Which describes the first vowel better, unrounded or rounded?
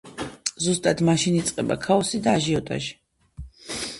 rounded